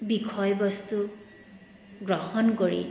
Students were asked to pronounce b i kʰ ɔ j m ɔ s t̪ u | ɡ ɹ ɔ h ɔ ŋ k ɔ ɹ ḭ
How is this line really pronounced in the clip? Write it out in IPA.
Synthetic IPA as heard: b i kʰ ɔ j b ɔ s t̪ u | ɡ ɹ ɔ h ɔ n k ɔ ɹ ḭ